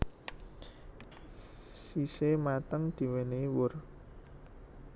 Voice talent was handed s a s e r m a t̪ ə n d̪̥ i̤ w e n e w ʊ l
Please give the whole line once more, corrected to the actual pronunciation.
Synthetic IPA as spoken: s i s e m a t̪ ə ŋ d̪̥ i̤ w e n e w ʊ r